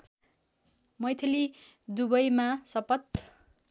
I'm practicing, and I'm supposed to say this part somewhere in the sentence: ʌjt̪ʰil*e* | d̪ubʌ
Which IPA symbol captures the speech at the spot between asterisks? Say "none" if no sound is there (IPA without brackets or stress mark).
i